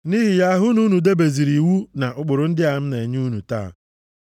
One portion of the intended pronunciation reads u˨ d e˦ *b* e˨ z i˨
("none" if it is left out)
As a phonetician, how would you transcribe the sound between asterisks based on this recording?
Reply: b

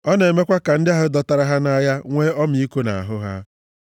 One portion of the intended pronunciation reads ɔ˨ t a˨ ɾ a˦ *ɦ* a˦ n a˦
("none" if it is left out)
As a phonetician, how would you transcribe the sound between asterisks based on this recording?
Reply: ɦ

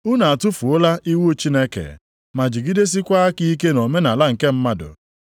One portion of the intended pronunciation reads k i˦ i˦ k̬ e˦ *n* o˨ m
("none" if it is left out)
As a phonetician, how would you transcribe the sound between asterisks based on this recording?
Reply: n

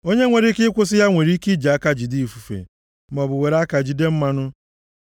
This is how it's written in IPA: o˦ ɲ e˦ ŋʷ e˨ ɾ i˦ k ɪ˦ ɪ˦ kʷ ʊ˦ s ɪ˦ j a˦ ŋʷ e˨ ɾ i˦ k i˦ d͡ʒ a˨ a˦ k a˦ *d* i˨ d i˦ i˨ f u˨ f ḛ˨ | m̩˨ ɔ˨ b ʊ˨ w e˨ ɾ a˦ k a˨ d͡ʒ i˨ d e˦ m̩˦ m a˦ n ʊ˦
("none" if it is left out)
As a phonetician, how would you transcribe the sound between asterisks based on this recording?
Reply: d͡ʒ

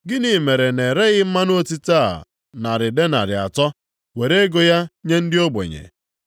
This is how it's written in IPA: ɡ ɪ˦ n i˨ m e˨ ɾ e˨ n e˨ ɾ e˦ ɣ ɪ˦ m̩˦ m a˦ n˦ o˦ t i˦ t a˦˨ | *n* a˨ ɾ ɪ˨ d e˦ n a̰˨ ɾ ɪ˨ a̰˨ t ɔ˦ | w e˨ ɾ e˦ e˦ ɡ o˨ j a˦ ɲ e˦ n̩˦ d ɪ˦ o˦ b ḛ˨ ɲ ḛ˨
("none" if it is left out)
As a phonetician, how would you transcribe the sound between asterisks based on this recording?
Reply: n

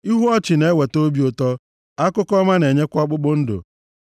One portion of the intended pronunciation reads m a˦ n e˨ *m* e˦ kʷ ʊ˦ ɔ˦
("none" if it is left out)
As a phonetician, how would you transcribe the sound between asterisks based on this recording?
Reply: ɲ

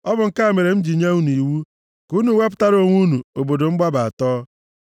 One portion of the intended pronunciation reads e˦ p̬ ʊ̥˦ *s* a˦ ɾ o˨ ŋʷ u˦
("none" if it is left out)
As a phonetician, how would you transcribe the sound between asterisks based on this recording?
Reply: t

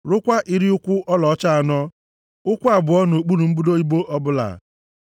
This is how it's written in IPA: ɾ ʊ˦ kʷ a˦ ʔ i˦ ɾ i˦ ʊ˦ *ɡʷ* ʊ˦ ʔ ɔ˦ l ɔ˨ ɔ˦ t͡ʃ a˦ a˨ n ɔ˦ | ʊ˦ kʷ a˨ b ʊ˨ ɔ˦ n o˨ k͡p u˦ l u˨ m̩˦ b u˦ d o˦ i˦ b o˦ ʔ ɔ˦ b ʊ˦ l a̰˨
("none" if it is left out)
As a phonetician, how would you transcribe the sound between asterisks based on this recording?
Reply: kʷ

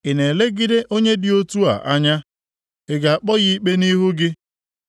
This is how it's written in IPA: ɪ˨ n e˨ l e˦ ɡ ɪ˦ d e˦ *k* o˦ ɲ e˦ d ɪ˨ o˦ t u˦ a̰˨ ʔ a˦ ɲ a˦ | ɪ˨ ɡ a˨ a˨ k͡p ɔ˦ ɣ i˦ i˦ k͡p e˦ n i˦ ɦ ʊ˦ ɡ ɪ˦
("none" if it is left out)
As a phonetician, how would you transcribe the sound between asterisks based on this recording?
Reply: ʔ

